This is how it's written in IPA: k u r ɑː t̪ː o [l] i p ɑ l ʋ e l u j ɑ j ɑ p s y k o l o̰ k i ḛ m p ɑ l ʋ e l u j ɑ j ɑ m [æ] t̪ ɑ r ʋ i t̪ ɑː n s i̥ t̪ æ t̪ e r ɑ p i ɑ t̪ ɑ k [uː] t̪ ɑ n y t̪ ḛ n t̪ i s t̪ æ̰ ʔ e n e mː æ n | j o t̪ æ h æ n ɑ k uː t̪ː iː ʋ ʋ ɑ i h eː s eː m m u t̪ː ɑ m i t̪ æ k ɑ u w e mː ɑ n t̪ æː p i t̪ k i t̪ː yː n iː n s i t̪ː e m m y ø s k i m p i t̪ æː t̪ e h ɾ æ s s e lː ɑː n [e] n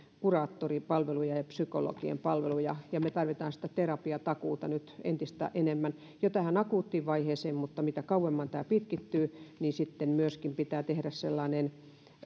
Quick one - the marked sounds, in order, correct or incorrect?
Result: incorrect, incorrect, correct, correct

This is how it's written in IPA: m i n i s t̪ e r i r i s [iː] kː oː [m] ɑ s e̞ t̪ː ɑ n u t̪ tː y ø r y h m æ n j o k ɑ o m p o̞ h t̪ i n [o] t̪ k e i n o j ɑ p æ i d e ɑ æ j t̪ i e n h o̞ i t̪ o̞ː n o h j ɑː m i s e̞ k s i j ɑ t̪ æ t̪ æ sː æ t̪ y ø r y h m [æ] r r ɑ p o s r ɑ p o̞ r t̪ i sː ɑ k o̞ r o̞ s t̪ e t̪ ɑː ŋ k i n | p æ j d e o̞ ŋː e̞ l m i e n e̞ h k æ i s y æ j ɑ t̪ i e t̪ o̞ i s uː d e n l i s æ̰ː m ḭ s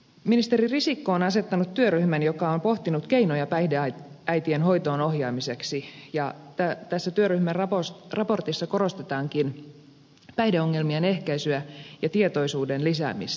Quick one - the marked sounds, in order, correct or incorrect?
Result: incorrect, incorrect, incorrect, correct

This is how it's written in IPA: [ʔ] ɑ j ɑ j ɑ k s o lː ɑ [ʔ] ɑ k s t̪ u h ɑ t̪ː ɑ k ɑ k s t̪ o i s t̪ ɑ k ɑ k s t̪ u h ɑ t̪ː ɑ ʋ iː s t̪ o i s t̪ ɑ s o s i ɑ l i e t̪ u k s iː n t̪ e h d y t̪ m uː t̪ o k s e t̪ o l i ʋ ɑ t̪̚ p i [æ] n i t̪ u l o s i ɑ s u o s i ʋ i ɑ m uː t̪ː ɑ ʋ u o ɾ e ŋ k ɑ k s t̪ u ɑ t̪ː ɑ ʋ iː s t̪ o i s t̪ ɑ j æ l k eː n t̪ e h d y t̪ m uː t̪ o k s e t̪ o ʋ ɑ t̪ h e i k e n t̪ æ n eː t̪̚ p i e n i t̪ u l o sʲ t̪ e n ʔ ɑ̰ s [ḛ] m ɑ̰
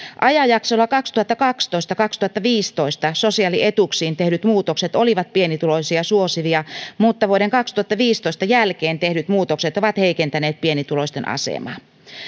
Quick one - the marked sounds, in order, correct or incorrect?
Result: correct, incorrect, incorrect, correct

